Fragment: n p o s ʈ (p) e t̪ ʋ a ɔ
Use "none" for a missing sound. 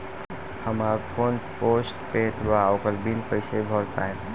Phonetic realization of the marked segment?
p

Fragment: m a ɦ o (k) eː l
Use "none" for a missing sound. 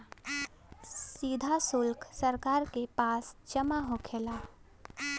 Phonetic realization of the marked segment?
kʰ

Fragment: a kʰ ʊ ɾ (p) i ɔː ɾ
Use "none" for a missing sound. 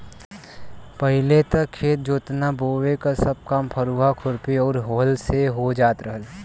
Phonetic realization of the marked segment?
p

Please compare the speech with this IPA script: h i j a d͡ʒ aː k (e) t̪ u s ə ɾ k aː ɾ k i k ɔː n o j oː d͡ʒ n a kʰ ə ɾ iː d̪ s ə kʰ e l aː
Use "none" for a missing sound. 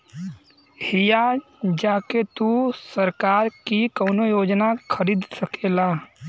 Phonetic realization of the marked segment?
e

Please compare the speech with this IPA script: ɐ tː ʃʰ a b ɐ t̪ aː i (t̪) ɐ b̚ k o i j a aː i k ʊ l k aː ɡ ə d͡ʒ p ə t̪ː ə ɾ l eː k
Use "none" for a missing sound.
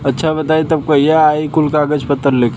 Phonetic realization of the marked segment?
t̪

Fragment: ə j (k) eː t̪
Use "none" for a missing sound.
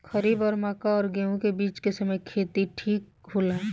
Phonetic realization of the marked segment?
kʰ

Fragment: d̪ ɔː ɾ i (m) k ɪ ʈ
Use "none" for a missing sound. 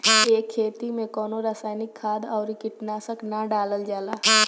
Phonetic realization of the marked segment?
none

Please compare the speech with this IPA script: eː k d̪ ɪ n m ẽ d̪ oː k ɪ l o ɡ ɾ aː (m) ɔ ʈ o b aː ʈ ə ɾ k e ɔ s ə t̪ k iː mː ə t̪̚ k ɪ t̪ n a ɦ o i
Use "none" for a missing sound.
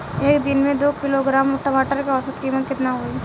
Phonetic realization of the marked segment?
m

